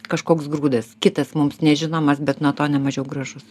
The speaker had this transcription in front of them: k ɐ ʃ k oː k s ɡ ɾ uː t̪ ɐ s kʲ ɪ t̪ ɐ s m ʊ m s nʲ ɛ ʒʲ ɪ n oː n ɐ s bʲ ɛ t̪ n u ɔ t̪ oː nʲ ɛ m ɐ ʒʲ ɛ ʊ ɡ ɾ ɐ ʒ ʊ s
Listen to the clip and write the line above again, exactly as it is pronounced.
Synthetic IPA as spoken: k ɐ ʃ k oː k s ɡ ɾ uː d̪ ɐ s kʲ ɪ t̪ ɐ s m ʊ m s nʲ ɛ ʒʲ ɪ n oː m ɐ s bʲ ɛ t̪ n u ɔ t̪ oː nʲ ɛ m ɐ ʒʲ ɛ ʊ ɡ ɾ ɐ ʒ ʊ s